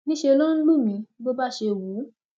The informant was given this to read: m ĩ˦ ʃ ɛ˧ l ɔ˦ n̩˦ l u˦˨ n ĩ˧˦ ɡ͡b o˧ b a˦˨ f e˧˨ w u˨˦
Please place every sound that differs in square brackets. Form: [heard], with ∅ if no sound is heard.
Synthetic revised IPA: [n] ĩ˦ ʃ [e˧] l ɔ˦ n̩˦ l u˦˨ [m] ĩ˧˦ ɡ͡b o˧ b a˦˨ [ʃ] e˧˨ w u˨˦

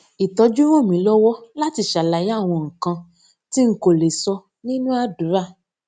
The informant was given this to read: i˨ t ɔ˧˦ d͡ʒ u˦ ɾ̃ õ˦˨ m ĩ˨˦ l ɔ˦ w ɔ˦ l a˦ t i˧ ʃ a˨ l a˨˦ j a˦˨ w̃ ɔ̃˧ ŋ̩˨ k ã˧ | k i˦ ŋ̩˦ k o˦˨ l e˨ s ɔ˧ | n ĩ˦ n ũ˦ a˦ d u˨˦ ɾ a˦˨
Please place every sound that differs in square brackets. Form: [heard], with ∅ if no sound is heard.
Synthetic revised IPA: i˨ t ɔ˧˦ d͡ʒ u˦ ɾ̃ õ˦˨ m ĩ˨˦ l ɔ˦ w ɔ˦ l a˦ t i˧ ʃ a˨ l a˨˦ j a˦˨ w̃ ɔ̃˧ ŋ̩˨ k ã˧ | [t] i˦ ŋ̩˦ k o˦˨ l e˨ s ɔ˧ | n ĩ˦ n ũ˦ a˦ d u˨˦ ɾ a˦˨

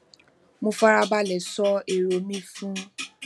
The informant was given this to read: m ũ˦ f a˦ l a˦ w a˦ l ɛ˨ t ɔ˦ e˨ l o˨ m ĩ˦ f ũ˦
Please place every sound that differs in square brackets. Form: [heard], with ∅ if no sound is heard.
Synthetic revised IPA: m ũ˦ f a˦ [ɾ] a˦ [b] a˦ l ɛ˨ [s] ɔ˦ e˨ [ɾ] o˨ m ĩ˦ f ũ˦

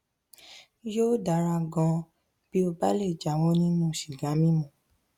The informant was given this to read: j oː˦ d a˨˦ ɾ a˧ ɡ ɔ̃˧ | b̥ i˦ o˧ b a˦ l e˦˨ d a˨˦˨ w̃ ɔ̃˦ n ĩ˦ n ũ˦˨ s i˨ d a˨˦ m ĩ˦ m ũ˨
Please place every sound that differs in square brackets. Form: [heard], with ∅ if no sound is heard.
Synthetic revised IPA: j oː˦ d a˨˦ ɾ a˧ ɡ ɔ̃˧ | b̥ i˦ o˧ b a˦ l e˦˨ [d͡ʒ] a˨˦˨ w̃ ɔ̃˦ n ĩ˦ n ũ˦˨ [ʃ] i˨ [ɡ] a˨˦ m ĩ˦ m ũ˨

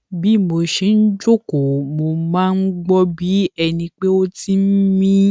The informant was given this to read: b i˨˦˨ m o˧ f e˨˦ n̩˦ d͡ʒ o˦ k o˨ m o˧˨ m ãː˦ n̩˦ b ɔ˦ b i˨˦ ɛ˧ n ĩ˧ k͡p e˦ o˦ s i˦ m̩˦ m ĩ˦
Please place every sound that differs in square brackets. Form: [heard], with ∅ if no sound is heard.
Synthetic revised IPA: b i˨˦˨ m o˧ [ʃ] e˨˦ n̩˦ d͡ʒ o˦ k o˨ m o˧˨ m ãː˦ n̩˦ [ɡ͡b] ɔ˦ b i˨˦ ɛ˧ n ĩ˧ k͡p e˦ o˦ [t] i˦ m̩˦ m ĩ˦

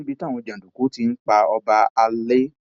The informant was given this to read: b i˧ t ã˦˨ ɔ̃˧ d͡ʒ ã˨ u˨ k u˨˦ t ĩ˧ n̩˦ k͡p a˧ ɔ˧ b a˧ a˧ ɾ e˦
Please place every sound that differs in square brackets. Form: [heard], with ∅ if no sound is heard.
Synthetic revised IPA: b i˧ t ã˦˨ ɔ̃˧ d͡ʒ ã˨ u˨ k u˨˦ t [i˧] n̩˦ k͡p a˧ ɔ˧ b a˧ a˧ [l] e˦

